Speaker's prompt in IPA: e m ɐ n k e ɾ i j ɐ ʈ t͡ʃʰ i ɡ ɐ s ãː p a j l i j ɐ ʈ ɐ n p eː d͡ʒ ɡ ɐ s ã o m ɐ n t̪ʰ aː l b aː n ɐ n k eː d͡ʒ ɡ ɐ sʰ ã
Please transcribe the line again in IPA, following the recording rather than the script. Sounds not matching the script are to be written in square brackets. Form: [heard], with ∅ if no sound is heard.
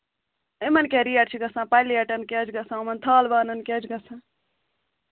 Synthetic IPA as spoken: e m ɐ n k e ɾ i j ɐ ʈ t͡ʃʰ i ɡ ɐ s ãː p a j l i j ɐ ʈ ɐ n [k] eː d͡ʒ ɡ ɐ s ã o m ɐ n t̪ʰ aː l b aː n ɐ n k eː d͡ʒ ɡ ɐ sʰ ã